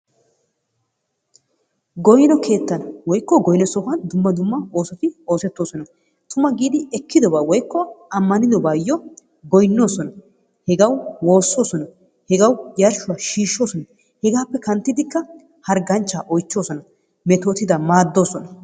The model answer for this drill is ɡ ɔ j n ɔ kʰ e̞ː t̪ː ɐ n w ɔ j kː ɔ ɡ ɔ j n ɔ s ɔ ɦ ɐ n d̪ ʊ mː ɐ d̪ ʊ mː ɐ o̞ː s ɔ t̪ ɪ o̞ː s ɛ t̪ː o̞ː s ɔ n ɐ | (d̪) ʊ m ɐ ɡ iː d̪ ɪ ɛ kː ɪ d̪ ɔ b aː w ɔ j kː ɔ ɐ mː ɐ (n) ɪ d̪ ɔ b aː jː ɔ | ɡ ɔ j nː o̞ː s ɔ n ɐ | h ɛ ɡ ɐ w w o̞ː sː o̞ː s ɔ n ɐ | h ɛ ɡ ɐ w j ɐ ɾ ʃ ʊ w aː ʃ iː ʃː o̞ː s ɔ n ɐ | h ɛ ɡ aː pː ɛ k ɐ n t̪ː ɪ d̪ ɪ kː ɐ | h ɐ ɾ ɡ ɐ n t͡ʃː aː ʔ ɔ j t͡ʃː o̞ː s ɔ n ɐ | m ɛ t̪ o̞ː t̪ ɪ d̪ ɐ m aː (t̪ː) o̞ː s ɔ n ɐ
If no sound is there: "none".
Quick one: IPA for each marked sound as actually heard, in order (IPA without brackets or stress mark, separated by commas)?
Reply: t̪, n, d̪ː